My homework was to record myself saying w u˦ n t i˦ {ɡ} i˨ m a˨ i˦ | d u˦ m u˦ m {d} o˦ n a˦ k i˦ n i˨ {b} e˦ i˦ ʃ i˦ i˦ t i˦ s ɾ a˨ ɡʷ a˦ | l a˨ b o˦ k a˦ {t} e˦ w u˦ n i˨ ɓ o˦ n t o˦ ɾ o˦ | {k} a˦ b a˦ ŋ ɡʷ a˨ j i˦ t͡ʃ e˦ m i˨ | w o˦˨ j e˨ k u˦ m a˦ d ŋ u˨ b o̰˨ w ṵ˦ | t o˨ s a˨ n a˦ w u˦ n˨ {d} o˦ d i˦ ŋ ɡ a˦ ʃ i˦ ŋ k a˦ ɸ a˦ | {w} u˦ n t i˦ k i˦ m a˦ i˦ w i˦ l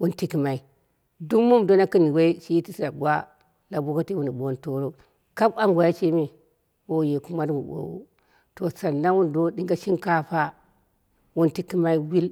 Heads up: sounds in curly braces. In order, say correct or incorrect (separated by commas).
incorrect, correct, incorrect, correct, correct, correct, correct